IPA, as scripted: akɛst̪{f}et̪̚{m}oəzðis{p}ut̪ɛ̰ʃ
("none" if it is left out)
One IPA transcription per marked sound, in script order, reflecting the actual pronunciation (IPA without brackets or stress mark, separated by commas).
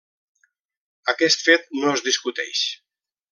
f, n, k